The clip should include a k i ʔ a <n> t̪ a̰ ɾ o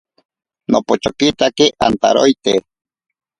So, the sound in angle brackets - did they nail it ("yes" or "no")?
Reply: yes